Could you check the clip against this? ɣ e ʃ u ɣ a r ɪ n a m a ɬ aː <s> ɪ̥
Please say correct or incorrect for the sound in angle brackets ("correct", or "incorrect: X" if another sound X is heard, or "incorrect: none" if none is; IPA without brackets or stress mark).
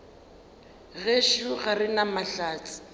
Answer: incorrect: t͡s